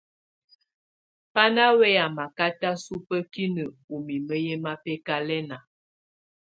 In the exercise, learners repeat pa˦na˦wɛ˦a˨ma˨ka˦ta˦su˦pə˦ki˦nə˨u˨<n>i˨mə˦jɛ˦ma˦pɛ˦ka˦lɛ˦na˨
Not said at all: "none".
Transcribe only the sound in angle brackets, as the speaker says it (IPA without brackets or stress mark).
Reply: m